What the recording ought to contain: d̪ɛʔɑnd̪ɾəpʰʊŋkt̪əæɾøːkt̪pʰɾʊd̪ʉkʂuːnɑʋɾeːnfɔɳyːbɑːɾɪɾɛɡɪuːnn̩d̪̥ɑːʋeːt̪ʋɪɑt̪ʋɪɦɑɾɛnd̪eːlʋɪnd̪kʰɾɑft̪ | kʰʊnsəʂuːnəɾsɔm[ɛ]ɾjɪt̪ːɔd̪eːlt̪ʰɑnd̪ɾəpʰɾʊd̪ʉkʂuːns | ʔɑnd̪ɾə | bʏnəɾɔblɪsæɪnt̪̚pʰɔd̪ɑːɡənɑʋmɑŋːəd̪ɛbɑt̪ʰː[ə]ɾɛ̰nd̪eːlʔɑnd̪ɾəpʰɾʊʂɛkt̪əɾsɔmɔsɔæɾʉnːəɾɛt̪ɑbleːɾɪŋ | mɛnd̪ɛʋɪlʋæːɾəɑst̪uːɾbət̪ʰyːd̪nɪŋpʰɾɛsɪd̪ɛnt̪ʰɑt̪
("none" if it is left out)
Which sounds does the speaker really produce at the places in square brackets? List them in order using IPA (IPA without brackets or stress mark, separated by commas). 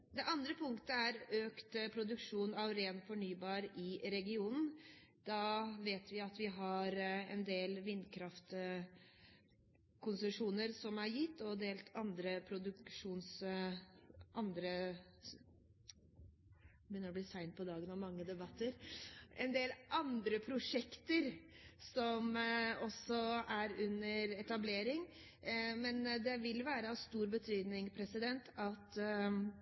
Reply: æ, ə